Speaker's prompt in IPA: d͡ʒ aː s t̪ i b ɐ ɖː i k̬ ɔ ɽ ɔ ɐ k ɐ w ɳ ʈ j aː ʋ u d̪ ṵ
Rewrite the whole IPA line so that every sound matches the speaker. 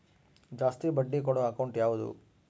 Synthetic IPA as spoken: d͡ʒ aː s t̪ i b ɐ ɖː i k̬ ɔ ɽ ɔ ɐ k ɐ w ɳ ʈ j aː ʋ u d̪ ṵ